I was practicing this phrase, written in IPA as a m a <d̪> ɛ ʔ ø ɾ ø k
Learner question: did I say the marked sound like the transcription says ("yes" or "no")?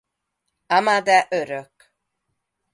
yes